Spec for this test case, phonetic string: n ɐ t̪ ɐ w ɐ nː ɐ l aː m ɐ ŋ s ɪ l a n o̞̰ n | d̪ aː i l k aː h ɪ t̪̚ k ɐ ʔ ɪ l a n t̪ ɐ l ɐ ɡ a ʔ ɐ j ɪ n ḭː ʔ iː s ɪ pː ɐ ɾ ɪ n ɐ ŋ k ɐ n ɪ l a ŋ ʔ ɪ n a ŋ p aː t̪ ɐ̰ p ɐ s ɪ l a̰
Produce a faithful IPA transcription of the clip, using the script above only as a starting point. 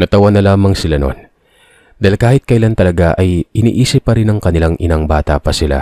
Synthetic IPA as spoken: n ɐ t̪ ɐ w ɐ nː ɐ l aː m ɐ ŋ s ɪ l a n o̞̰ n | d̪ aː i l k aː h ɪ t̪̚ k ɐ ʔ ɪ l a n t̪ ɐ l ɐ ɡ a ʔ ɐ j ɪ n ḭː ʔ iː s ɪ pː ɐ ɾ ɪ n ɐ ŋ k ɐ n ɪ l a ŋ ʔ ɪ n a ŋ b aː t̪ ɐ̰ p ɐ s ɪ l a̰